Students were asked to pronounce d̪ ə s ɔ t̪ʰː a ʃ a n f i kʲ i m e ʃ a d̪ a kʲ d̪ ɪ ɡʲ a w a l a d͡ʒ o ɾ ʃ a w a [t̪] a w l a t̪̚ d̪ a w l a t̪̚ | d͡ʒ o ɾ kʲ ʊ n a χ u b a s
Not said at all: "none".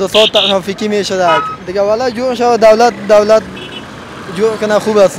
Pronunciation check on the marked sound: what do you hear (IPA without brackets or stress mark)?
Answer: d̪